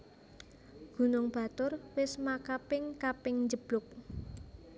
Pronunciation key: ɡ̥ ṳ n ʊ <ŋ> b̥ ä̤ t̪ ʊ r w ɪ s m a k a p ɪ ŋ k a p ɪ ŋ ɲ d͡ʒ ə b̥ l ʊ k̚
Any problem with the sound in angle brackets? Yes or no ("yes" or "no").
no